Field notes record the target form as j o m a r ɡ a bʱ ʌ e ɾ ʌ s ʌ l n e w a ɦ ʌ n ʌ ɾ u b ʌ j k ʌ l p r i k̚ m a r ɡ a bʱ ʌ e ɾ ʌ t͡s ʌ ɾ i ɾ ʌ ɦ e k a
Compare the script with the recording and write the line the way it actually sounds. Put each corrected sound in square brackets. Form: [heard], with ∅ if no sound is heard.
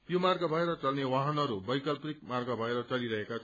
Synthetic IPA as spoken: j o m a r ɡ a bʱ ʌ e ɾ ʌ [t͡s] ʌ l n e w a ɦ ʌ n ʌ ɾ u b ʌ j k ʌ l p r i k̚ m a r ɡ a bʱ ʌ e ɾ ʌ t͡s ʌ [l] i ɾ ʌ ɦ e k a

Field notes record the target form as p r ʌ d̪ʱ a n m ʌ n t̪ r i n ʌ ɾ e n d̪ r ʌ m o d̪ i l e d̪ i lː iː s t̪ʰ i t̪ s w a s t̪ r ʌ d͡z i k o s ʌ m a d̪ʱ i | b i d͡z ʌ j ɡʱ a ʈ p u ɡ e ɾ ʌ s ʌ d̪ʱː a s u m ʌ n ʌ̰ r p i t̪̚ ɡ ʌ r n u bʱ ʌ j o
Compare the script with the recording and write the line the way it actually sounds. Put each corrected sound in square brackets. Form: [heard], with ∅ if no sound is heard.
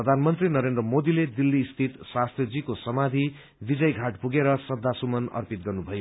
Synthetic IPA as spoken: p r ʌ d̪ʱ a n m ʌ n t̪ r i n ʌ ɾ e n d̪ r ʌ m o d̪ i l e d̪ i lː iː s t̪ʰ i t̪ s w a s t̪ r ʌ d͡z i k o s ʌ m a d̪ʱ i | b i d͡z ʌ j ɡʱ a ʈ p u ɡ e ɾ ʌ s ʌ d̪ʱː a s u m ʌ n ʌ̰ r p i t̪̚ ɡ ʌ r n u bʱ ʌ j o

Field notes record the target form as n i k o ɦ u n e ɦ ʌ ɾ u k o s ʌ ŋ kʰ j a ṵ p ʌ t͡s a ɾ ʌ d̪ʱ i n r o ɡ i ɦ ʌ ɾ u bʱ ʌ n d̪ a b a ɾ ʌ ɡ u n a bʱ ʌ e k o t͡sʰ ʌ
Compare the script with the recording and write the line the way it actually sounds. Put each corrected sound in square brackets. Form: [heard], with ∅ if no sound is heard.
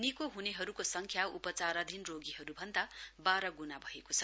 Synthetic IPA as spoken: n i k o ɦ u n e ɦ ʌ ɾ u k o s ʌ ŋ kʰ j a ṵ p ʌ t͡s a ɾ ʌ d̪ʱ i n r o ɡ i ɦ ʌ ɾ u bʱ ʌ n d̪ a b a ɾ ʌ ɡ u n a bʱ ʌ e k o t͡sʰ ʌ

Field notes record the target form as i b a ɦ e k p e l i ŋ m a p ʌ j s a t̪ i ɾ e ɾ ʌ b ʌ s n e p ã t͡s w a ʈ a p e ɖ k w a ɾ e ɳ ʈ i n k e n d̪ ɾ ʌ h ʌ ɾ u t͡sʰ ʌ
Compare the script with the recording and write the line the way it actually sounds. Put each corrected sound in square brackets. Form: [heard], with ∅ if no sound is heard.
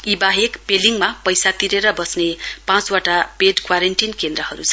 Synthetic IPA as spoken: i b a ɦ e k p e l i ŋ m a p ʌ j s a t̪ i ɾ e ɾ ʌ b ʌ s n e p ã t͡s w a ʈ a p e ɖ k w a ɾ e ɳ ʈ i n k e n d̪ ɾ ʌ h ʌ ɾ u t͡sʰ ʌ

